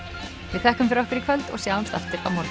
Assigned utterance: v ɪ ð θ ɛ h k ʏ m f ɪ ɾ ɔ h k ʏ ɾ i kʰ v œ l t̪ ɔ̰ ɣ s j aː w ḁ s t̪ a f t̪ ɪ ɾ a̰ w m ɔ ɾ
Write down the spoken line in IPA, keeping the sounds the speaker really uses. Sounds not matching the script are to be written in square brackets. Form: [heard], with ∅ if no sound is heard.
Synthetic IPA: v ɪ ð θ ɛ h k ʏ m f ɪ ɾ ɔ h k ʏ ɾ i kʰ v œ l t̪ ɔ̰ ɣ s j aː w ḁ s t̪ a f t̪ ɪ ɾ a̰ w m ɔ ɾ

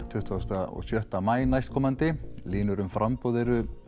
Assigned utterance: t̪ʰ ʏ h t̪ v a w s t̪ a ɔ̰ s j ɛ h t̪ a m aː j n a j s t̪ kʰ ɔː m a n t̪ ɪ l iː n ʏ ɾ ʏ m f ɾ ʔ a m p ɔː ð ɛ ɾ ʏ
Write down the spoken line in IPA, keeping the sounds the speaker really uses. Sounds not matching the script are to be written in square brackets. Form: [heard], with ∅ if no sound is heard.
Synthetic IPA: t̪ʰ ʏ h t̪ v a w s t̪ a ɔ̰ s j [œ] h t̪ a m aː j n a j s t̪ kʰ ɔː m a n t̪ ɪ l iː n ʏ ɾ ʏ m f ɾ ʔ a m p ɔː ð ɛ ɾ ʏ

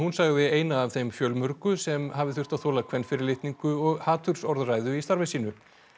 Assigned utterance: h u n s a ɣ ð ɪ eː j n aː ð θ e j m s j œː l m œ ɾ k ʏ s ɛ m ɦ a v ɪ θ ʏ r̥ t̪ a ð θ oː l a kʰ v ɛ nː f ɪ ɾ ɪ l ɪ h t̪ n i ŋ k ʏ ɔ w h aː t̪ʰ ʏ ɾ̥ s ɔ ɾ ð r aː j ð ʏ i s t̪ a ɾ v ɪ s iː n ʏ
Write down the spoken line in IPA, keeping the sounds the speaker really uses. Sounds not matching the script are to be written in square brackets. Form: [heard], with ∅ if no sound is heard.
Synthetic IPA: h u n s a ɣ ð ɪ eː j n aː [v] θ e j m [f] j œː l m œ ɾ k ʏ s ɛ m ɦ a v ɪ θ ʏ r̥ t̪ a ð θ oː l a kʰ v ɛ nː f ɪ ɾ ɪ l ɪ h t̪ n i ŋ k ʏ ɔ [ɣ] h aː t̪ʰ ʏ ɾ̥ s ɔ ɾ ð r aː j ð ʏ i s t̪ a ɾ v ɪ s iː n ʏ

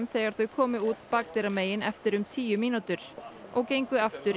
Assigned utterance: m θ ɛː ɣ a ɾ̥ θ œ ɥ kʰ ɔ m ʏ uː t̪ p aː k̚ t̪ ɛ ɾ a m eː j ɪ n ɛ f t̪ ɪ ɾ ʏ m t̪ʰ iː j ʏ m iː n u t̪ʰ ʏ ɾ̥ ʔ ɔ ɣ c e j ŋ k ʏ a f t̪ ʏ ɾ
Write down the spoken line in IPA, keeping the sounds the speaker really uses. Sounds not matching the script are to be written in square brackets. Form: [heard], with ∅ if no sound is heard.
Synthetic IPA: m θ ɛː ɣ a ɾ̥ θ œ ɥ kʰ [ɔː] m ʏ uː t̪ p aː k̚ t̪ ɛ ɾ a m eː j ɪ n ɛ f t̪ ɪ ɾ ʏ m t̪ʰ iː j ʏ m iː n u [t̪] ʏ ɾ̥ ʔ ɔ ɣ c e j ŋ k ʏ a f t̪ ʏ ɾ

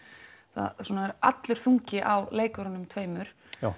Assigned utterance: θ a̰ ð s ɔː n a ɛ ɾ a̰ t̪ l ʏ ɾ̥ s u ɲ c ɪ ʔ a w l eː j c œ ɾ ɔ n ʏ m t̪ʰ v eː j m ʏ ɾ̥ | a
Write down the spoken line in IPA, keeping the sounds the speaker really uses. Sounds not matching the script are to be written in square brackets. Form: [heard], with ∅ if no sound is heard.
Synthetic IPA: θ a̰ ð s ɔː n a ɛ ɾ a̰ t̪ l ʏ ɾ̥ [θ] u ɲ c ɪ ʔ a w l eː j [k] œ ɾ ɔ n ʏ m t̪ʰ v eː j m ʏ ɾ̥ | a

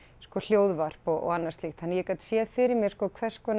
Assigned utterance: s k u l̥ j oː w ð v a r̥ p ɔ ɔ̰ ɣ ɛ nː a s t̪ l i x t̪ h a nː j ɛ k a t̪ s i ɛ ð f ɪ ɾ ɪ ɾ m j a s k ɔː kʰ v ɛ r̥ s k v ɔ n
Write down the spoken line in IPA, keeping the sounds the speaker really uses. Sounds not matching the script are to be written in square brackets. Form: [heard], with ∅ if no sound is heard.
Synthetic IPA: s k [ɔ] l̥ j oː w ð v a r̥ p ɔ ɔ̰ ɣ [a] nː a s t̪ l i x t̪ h a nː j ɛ k a t̪ s [j] ɛ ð f ɪ ɾ ɪ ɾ m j [ɛ] s k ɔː kʰ v ɛ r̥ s k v ɔ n

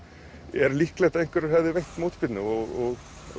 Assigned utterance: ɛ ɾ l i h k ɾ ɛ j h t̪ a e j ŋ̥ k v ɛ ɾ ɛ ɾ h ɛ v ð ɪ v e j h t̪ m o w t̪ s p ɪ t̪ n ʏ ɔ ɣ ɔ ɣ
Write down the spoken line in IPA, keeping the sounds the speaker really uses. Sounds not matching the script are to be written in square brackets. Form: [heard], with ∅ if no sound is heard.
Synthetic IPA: ɛ ɾ l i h k [l] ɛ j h t̪ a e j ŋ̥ k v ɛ ɾ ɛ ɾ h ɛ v ð ɪ v e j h t̪ m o w t̪ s p ɪ t̪ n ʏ ɔ ɣ ɔ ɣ

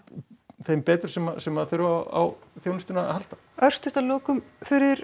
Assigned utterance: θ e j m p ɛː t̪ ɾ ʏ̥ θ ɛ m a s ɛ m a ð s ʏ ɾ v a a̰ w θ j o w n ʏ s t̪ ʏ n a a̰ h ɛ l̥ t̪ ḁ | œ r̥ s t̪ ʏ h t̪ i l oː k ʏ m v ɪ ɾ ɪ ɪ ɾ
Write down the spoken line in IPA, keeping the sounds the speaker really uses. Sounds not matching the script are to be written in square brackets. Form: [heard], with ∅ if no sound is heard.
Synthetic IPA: θ e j m p ɛː t̪ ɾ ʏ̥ [s] ɛ m a s ɛ m a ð [θ] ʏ ɾ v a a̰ w θ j o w n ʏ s t̪ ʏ n a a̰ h [a] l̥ t̪ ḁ | œ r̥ s t̪ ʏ h t̪ [a] l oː k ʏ m [f] ɪ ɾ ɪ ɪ ɾ

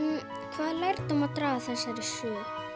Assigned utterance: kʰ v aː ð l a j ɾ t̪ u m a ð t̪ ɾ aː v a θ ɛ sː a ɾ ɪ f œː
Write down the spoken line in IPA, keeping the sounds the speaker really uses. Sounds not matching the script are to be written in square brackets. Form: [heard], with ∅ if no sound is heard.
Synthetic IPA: kʰ v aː ð l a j ɾ t̪ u m a ð t̪ ɾ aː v a θ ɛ sː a ɾ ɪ [s] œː

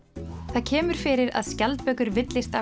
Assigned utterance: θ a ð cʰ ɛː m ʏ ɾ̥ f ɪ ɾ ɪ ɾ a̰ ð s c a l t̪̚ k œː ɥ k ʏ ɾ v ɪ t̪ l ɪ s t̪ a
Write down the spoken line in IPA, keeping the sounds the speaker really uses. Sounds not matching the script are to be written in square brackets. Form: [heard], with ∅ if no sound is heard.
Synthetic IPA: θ a ð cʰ ɛː m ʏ ɾ̥ f ɪ ɾ ɪ ɾ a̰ ð s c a l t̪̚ [p] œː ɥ k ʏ ɾ v ɪ t̪ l ɪ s t̪ a

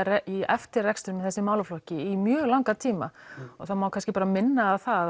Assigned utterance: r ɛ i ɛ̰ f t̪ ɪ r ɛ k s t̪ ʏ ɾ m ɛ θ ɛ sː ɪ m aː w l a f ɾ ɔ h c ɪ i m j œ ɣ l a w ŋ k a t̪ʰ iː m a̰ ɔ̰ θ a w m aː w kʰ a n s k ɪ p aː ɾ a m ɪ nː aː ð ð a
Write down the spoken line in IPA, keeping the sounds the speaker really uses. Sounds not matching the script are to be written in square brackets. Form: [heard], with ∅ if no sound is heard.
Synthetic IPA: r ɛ i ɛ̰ f t̪ ɪ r ɛ k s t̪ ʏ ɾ m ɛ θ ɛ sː ɪ m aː w l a f [l] ɔ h c ɪ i m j [œː] ɣ l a w ŋ k a t̪ʰ iː m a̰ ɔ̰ θ a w m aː w kʰ a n s [c] ɪ p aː ɾ a m ɪ nː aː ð [θ] a

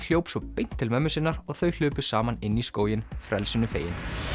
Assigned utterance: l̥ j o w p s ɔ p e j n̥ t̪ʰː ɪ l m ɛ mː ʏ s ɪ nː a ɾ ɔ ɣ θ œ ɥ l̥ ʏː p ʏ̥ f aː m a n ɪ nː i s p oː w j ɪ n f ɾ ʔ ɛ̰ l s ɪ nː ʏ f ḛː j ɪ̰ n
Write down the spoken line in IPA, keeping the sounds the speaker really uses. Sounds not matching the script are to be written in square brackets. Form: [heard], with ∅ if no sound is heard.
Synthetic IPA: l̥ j o w p s ɔ p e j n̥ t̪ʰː ɪ l m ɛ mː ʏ s ɪ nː a ɾ ɔ ɣ θ œ ɥ l̥ ʏː p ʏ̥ [s] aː m a n ɪ nː i s [k] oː w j ɪ n f ɾ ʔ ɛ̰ l s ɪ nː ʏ f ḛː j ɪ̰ n

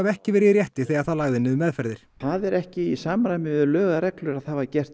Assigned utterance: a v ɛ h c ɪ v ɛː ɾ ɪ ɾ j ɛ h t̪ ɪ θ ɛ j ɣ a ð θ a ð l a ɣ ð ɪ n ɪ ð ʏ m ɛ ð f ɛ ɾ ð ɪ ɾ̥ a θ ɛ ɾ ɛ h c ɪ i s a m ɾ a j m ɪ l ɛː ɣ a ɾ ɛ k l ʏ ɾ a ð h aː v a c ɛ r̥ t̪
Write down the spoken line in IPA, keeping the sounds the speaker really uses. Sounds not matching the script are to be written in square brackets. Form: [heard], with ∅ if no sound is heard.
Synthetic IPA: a v ɛ h c ɪ v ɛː ɾ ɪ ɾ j ɛ h t̪ ɪ θ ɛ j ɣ a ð θ a ð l a ɣ ð ɪ n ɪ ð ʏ m ɛ ð f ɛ ɾ ð ɪ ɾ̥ a [ð] ɛ ɾ ɛ h c ɪ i s a m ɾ a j m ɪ l [œː] ɣ a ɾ ɛ k l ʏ ɾ a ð h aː v a c ɛ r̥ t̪

